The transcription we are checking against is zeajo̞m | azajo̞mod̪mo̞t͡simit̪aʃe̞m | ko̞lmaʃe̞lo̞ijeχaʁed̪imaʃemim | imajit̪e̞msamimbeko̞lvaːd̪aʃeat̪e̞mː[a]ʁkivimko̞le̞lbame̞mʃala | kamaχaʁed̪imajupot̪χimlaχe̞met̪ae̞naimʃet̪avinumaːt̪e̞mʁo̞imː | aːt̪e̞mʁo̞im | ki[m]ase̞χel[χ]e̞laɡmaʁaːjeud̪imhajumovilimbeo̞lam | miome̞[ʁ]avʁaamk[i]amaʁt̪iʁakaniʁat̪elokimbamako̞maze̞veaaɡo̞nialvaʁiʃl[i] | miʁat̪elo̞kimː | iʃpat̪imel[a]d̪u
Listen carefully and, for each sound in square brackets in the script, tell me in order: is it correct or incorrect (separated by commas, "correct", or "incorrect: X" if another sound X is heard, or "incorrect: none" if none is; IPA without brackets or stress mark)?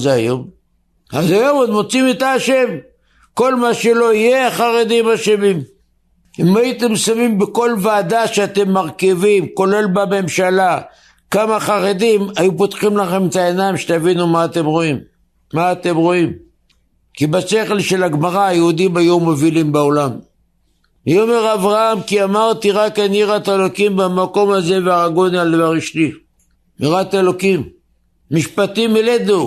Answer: correct, incorrect: b, incorrect: ʃ, correct, correct, correct, incorrect: e